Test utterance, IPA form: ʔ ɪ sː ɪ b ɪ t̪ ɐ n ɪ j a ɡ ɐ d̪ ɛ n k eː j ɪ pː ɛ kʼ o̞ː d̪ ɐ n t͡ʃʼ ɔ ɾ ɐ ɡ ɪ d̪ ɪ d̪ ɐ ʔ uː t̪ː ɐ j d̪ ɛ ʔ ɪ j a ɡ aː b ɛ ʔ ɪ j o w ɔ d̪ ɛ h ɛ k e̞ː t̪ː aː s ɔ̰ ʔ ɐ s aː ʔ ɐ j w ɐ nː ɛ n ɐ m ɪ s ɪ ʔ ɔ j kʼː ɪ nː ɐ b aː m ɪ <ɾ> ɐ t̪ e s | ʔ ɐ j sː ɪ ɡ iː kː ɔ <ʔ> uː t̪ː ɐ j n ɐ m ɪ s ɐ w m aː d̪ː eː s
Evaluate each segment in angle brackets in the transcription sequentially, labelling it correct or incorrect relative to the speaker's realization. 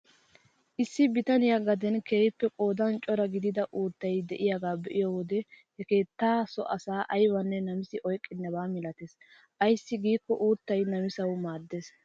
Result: incorrect: l, correct

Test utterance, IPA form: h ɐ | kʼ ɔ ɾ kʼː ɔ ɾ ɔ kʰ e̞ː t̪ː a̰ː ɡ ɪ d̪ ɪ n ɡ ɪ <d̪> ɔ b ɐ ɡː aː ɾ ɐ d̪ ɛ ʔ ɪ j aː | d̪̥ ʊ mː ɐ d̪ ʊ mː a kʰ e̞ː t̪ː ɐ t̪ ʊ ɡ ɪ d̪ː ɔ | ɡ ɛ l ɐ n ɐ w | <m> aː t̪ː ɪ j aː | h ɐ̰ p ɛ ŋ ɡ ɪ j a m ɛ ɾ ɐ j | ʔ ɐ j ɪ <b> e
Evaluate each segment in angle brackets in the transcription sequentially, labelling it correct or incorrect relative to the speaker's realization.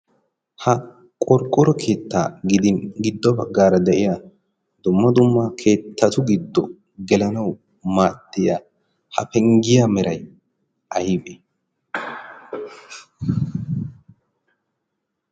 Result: incorrect: d̪ː, correct, correct

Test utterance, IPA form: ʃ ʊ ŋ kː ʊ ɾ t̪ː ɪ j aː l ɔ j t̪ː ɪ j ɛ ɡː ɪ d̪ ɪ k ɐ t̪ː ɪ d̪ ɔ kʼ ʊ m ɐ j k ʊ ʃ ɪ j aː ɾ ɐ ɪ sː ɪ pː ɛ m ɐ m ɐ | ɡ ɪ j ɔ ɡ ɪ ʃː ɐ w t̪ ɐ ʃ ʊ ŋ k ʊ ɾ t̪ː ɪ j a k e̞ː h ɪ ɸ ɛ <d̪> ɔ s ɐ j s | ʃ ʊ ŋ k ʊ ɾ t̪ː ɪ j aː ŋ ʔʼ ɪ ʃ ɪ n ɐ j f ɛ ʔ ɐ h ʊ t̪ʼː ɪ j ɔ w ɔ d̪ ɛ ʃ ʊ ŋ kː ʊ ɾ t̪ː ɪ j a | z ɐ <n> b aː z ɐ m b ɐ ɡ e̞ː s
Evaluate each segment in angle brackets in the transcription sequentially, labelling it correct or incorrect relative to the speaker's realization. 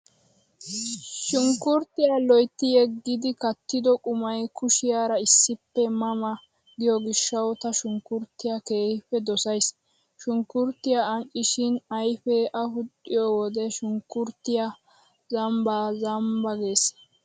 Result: correct, incorrect: m

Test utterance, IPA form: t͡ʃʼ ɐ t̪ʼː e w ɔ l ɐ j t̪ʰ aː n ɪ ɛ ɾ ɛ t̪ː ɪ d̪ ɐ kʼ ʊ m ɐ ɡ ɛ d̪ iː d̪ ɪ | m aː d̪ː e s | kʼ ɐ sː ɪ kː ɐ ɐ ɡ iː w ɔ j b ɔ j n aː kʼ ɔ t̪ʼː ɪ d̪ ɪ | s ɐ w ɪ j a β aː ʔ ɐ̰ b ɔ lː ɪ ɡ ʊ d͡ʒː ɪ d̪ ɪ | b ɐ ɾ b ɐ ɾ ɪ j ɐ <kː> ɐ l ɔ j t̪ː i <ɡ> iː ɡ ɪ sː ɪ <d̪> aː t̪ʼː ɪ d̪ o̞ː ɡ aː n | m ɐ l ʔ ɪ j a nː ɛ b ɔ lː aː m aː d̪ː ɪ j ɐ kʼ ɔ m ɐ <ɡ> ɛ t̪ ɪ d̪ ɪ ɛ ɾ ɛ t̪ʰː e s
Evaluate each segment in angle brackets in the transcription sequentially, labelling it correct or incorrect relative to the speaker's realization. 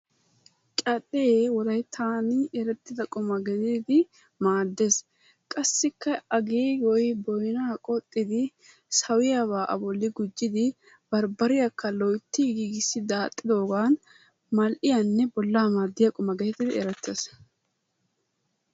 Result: correct, correct, correct, correct

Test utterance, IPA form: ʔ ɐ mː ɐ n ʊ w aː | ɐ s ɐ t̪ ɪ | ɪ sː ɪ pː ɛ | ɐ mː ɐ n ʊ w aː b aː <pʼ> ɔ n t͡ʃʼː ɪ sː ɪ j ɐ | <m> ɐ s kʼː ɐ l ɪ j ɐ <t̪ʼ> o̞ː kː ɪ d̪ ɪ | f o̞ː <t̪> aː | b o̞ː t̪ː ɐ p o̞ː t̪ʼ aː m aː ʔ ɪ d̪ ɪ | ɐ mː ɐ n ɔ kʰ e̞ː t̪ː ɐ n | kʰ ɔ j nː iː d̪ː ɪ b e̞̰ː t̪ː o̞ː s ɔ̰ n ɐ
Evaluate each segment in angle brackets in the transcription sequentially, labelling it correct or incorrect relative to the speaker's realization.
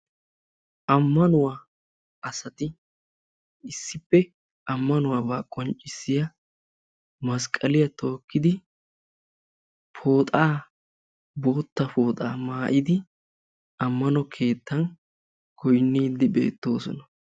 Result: incorrect: kʼ, correct, incorrect: t̪, incorrect: t̪ʼ

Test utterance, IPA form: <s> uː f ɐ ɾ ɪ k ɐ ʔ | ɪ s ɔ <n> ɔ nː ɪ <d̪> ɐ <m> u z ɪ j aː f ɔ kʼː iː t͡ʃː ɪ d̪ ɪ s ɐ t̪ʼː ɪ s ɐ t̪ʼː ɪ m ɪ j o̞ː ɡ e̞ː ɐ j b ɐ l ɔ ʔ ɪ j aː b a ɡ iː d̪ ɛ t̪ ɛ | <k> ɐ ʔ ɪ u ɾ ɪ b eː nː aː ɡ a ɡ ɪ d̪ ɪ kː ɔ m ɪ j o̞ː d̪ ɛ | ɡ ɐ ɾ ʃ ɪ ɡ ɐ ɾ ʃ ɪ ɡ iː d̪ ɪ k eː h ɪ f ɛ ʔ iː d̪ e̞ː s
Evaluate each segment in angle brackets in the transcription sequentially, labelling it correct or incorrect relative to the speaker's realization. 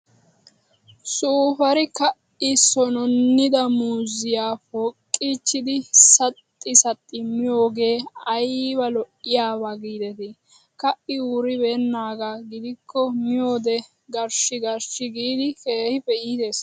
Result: correct, correct, correct, correct, correct

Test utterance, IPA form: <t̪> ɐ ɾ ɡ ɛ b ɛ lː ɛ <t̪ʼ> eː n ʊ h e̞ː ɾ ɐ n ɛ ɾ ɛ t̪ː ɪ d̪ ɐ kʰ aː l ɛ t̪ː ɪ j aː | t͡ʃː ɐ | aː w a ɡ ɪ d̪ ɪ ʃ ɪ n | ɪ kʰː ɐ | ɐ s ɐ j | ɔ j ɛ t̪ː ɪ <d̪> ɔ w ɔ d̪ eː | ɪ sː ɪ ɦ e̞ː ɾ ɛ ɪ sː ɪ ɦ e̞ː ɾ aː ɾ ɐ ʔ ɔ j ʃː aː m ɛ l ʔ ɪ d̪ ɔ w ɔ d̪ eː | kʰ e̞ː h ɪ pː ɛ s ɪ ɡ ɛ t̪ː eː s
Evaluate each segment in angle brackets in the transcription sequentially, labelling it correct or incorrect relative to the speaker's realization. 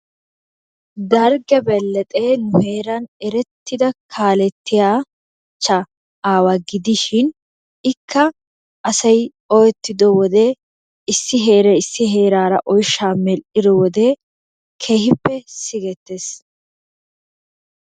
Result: incorrect: d̪, correct, correct

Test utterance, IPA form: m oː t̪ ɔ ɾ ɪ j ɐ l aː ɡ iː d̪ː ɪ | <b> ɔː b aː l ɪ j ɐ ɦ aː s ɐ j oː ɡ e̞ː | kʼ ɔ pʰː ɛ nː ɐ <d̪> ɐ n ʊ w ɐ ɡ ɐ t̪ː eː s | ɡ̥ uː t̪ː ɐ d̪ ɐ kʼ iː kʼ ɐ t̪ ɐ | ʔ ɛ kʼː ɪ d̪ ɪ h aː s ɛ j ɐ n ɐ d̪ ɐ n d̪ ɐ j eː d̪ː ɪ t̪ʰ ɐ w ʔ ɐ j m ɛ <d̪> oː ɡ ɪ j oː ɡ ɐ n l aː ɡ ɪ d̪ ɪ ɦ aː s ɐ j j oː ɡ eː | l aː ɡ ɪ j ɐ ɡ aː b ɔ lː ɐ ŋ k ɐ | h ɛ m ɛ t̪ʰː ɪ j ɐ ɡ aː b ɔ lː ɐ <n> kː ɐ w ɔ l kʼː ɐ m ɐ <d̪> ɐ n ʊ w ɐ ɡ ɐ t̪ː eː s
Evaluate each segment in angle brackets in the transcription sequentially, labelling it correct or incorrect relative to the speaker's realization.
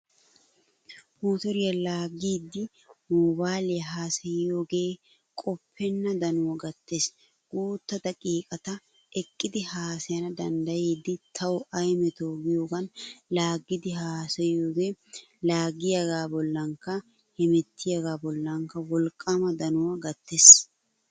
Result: incorrect: m, correct, incorrect: t̪, incorrect: ŋ, correct

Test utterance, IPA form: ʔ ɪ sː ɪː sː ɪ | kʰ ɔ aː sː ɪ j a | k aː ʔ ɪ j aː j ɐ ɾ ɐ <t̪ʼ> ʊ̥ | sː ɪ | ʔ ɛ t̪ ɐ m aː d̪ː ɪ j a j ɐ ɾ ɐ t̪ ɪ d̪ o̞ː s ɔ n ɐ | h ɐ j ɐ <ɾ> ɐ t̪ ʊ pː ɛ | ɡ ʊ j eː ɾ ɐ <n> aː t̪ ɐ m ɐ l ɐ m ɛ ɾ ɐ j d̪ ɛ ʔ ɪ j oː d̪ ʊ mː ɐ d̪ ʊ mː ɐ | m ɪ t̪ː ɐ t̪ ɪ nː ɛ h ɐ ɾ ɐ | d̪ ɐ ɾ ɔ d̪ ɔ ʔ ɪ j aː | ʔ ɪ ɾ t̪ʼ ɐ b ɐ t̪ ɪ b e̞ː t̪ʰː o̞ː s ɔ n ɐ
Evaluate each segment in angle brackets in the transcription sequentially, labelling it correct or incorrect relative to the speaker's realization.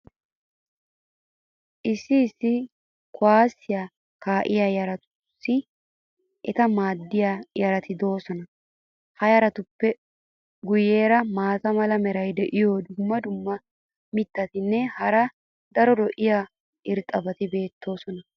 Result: incorrect: t̪, correct, incorrect: m

